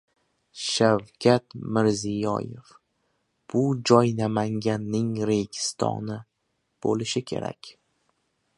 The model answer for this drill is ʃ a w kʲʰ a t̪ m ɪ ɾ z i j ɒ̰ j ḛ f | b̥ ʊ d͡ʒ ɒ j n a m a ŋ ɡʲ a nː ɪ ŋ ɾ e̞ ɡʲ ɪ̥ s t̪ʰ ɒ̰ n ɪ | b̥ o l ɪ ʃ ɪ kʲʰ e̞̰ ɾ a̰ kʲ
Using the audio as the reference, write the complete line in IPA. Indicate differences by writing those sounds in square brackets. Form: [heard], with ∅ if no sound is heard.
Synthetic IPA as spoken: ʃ a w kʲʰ a t̪ m ɪ ɾ z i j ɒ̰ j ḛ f | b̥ ʊ d͡ʒ ɒ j n a m a ŋ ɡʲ a nː ɪ ŋ ɾ e̞ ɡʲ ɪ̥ s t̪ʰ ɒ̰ n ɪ | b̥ o l ɪ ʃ ɪ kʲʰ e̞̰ ɾ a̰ kʲ